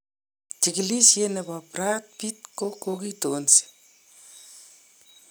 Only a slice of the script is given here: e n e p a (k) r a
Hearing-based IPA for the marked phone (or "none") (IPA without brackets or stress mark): p